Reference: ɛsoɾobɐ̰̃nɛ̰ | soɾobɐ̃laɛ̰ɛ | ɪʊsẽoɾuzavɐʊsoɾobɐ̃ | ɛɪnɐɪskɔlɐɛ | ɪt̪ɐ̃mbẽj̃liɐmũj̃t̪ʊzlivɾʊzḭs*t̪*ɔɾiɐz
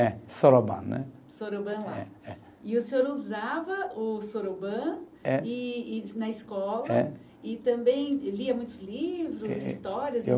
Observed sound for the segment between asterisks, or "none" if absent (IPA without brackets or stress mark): t̪